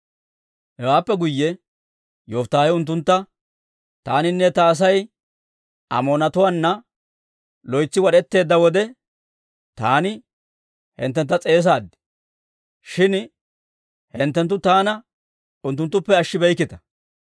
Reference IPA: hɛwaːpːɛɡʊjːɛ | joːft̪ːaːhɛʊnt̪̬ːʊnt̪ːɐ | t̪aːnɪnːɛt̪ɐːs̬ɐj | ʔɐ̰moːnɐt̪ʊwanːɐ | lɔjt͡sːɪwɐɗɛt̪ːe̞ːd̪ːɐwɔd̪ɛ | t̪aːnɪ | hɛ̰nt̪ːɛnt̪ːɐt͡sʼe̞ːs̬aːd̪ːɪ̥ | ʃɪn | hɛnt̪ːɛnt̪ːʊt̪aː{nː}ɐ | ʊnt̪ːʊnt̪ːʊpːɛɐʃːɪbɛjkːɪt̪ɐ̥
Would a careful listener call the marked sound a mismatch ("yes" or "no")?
yes